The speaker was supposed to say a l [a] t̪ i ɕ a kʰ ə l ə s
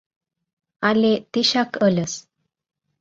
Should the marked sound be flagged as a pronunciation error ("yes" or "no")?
yes